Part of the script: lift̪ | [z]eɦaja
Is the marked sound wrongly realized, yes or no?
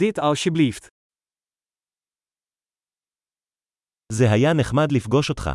no